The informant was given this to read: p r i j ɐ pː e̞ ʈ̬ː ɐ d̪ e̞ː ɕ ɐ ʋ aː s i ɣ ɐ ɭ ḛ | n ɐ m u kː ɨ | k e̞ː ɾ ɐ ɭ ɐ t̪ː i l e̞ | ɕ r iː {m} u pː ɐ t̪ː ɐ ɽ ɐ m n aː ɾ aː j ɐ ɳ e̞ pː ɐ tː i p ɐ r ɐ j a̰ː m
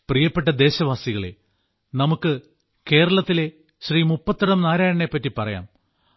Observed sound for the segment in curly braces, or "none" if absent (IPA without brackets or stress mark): m